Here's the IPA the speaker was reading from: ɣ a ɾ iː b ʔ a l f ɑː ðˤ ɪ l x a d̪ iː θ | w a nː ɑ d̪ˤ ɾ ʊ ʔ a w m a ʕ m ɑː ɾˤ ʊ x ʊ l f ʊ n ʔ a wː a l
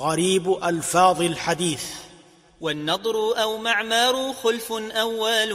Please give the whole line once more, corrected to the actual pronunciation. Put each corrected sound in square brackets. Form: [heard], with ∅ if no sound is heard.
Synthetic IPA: ɣ a ɾ iː b ʔ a l f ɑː ðˤ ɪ l [ħ] a d̪ iː θ | w a nː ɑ d̪ˤ ɾ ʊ ʔ a w m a ʕ m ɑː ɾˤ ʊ x ʊ l f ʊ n ʔ a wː a l